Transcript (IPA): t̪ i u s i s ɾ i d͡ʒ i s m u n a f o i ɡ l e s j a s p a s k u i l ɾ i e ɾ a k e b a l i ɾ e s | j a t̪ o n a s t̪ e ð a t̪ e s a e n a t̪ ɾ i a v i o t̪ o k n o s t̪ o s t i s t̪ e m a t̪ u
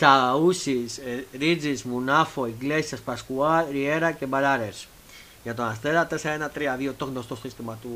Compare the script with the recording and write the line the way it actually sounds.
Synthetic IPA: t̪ a u s i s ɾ i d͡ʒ i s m u n a f o i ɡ l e s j a s p a s k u a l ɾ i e ɾ a k e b a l a ɾ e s | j a t̪ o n a s t̪ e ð a t̪ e s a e n a t̪ ɾ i a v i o t̪ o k n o s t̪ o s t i s t̪ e m a t̪ u